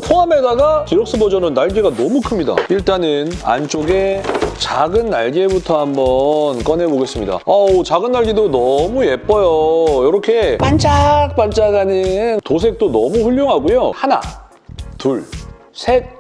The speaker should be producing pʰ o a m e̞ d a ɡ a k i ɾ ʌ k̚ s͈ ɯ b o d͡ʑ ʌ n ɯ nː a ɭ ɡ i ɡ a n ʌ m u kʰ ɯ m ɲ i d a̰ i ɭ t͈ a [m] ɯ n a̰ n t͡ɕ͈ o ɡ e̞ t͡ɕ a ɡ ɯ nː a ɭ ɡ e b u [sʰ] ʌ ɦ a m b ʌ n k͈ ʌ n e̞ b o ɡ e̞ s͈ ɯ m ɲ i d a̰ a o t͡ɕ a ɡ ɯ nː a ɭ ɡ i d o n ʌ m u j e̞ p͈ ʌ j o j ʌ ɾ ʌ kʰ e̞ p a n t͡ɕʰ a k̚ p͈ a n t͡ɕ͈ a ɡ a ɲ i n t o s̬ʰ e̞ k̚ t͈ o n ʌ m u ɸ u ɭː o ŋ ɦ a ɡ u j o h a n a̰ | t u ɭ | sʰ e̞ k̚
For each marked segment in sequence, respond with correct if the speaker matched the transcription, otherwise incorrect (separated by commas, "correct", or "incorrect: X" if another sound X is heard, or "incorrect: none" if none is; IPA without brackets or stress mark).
incorrect: n, incorrect: tʰ